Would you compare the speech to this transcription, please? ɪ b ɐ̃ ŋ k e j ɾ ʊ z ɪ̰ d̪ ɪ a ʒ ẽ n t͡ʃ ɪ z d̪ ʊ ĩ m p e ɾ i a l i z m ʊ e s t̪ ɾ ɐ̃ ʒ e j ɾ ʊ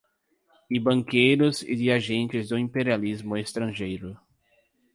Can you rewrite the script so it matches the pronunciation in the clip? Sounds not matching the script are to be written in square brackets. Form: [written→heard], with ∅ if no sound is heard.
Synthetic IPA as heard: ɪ b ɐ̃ ŋ k e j ɾ ʊ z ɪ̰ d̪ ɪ a ʒ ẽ n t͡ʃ ɪ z d̪ ʊ ĩ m p e ɾ i a l i z m ʊ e s t̪ ɾ ɐ̃ ʒ e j ɾ ʊ

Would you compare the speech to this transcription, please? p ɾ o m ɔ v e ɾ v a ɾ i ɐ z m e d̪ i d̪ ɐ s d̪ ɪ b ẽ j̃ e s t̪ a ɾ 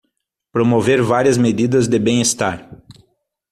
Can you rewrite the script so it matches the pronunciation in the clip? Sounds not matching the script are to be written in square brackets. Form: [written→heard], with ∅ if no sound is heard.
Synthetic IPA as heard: p ɾ o m [ɔ→o] v e ɾ v a ɾ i ɐ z m e d̪ i d̪ ɐ [s→z] d̪ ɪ b ẽ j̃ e s t̪ a ɾ

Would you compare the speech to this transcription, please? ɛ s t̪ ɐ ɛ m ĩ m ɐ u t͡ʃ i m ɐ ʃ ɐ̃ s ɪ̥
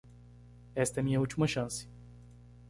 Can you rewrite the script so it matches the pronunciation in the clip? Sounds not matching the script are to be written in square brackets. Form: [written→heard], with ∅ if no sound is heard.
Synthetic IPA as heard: ɛ s t̪ ɐ ɛ m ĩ [m→ɲ] ɐ u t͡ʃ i m ɐ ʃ ɐ̃ s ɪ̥

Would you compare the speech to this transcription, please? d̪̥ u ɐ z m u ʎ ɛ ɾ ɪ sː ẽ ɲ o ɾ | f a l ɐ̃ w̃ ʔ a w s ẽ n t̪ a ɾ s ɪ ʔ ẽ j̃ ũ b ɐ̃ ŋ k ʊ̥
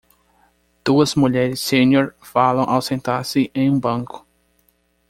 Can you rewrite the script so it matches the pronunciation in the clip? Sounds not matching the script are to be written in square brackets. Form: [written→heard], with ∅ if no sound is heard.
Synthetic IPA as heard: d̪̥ u ɐ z m u ʎ ɛ ɾ ɪ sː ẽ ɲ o ɾ | f a l ɐ̃ w̃ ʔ a w s ẽ n t̪ a ɾ s ɪ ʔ ẽ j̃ ũ b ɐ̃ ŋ k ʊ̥

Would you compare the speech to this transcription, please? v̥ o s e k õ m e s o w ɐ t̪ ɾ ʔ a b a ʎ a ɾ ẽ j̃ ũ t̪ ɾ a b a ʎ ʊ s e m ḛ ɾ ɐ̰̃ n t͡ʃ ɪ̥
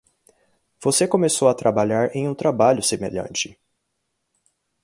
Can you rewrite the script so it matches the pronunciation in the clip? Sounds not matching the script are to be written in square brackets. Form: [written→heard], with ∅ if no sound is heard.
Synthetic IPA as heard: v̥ o s e k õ m e s o w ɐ t̪ ɾ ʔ a b a ʎ a ɾ ẽ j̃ ũ t̪ ɾ a b a ʎ ʊ s e m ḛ [ɾ→ʎ] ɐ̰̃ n t͡ʃ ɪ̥

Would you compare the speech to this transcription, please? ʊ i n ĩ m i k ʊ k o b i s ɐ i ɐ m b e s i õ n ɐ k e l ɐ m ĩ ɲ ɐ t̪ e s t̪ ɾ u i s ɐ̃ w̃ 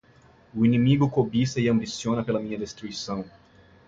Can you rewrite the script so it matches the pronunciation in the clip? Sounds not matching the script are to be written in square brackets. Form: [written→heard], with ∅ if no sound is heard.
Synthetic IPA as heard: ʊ i n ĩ m i [k→ɡ] ʊ k o b i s ɐ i [ɐ→ɐ̃] m b [e→i] s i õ n ɐ [k→p] e l ɐ m ĩ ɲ ɐ [t̪→d̪] e s t̪ ɾ u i s ɐ̃ w̃

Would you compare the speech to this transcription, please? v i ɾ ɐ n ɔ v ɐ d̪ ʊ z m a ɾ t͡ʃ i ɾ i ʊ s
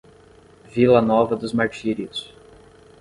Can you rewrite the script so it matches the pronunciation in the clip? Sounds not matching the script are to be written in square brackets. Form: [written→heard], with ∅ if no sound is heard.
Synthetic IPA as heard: v i [ɾ→l] ɐ n ɔ v ɐ d̪ ʊ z m a ɾ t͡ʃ i ɾ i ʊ s

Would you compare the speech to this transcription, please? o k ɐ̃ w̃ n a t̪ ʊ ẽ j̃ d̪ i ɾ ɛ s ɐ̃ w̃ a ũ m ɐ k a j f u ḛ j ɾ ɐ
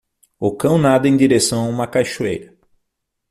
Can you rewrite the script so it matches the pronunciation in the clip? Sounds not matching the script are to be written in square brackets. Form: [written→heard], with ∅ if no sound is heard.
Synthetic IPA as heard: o k ɐ̃ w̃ n a [t̪→d̪] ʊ ẽ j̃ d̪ i ɾ [ɛ→e] s ɐ̃ w̃ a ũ m ɐ k a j [f→ʃ] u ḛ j ɾ ɐ

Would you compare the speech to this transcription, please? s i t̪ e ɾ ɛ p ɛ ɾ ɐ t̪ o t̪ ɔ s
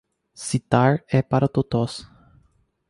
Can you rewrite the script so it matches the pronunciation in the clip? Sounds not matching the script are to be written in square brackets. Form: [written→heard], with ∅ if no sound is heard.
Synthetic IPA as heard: s i t̪ [e→a] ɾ ɛ p [ɛ→a] ɾ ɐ t̪ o t̪ ɔ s

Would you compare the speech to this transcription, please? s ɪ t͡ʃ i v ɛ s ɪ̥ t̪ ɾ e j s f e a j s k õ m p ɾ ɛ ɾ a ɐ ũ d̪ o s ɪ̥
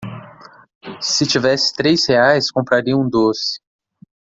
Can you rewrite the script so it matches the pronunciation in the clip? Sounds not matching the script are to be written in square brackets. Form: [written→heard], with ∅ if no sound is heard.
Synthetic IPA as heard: s ɪ t͡ʃ i v ɛ s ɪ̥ t̪ ɾ e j s [f→h] e a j s k õ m p ɾ [ɛ→a] ɾ [a→i] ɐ ũ d̪ o s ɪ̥

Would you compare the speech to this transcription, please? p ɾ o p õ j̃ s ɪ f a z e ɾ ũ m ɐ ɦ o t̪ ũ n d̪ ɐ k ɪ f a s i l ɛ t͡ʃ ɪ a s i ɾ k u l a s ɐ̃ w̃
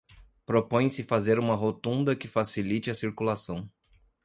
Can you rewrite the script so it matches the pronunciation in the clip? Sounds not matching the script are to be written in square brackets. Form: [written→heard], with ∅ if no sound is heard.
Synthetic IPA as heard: p ɾ o p õ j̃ s ɪ f a z e ɾ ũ m ɐ ɦ o t̪ ũ n d̪ ɐ k ɪ f a s i l [ɛ→i] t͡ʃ ɪ [a→ɐ] s i ɾ k u l a s ɐ̃ w̃

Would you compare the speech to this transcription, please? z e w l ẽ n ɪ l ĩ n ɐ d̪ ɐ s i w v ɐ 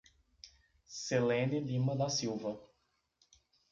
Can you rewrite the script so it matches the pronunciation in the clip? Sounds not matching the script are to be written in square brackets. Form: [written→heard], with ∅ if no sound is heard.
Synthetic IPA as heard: [z→s] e [w→∅] l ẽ n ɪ l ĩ [n→m] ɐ d̪ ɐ s i w v ɐ

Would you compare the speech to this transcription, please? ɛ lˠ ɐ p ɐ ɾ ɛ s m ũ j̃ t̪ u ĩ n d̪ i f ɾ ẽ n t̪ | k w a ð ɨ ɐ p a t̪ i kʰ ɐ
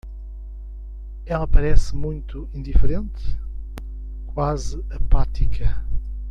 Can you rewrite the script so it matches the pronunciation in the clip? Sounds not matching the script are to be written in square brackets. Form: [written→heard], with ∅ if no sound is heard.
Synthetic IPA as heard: ɛ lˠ ɐ p ɐ ɾ ɛ s m ũ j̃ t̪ u ĩ n d̪ i f ɾ ẽ n t̪ | k w a [ð→z] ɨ ɐ p a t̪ i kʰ ɐ

